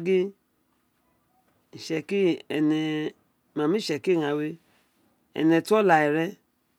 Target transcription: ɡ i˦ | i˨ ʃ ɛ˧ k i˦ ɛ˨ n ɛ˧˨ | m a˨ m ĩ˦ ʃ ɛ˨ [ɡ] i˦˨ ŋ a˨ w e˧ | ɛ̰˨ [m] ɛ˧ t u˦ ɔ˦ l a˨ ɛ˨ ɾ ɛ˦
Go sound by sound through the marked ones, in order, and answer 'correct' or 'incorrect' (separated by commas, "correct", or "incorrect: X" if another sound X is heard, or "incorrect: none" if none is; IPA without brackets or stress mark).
incorrect: k, incorrect: n